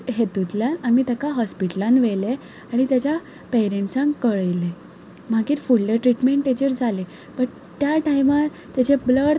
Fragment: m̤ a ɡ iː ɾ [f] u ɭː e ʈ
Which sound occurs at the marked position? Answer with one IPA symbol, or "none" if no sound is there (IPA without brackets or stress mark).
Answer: f